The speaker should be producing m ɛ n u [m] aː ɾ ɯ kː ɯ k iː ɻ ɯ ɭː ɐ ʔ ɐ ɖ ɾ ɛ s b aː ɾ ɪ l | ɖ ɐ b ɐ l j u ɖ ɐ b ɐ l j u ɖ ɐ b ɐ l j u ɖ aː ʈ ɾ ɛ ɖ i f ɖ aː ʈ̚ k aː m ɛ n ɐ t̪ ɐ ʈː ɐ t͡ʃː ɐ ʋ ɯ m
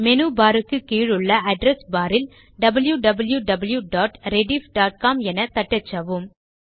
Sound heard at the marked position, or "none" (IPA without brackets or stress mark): b